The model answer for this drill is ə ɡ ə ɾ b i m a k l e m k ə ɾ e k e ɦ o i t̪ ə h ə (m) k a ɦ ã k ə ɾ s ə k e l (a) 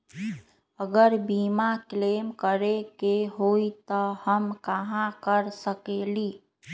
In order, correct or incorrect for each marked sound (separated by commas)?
correct, incorrect